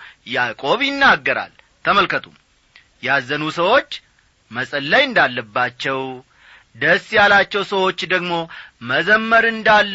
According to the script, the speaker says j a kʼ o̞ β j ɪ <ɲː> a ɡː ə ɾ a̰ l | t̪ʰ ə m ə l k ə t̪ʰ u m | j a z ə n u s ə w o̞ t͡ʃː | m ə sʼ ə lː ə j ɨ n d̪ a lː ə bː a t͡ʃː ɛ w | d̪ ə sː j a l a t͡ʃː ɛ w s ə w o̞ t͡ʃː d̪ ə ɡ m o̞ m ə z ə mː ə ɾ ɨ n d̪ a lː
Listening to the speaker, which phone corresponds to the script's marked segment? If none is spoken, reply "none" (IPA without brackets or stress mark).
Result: nː